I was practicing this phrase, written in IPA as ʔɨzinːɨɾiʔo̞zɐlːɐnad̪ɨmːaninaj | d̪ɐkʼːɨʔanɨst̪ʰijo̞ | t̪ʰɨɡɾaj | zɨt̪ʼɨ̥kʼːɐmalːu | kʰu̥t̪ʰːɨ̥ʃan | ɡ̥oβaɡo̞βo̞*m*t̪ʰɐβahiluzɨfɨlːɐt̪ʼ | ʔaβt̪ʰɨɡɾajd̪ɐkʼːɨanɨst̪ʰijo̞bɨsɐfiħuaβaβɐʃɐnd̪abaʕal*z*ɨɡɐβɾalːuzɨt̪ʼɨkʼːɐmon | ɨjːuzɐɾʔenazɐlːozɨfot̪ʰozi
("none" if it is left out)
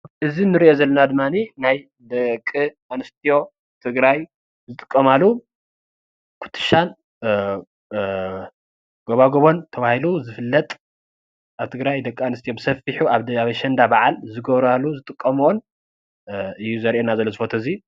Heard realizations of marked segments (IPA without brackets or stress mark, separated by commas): n, z